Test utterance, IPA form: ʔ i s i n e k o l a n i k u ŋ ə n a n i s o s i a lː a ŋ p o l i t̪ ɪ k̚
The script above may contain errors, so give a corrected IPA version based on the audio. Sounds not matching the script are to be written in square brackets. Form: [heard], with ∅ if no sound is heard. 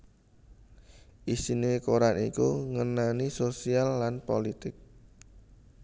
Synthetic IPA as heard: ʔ i s i n e k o [ɾ] a n i k u ŋ ə n a n i s o s i a lː a [n] p o l i t̪ ɪ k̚